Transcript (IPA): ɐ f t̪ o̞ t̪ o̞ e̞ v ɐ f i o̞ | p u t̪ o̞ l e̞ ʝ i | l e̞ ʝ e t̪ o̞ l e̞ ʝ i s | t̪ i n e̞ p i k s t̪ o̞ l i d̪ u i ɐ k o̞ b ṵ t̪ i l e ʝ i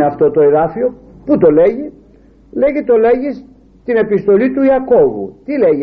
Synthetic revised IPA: ɐ f t̪ o̞ t̪ o̞ e̞ ð ɐ f i o̞ | p u t̪ o̞ l e̞ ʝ i | l e̞ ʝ i t̪ o̞ l e̞ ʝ i s | t̪ i n e̞ p i s t̪ o̞ l i t̪ u i ɐ k o̞ v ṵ t̪ i l e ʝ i